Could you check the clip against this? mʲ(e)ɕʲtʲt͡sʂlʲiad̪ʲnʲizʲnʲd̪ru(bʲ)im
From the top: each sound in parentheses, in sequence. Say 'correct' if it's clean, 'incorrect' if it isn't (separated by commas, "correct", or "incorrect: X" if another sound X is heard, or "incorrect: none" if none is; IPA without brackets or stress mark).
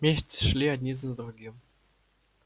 correct, incorrect: ɡʲ